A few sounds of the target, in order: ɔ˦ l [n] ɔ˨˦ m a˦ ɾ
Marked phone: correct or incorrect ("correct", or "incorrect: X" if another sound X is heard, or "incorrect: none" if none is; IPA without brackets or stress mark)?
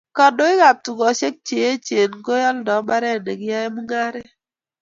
incorrect: d